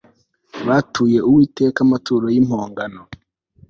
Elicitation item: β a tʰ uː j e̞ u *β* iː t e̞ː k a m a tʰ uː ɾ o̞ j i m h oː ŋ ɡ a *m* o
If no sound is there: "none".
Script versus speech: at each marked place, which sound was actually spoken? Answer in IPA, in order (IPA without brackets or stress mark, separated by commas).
w, n